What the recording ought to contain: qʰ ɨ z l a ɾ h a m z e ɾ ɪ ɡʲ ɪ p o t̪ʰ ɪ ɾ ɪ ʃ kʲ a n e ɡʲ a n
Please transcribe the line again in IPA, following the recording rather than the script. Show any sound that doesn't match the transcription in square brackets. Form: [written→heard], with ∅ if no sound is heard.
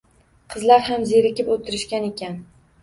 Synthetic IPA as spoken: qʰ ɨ z l a ɾ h a m z e ɾ ɪ [ɡʲ→kʲ] ɪ p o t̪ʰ ɪ ɾ ɪ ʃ kʲ a n e [ɡʲ→kʲ] a n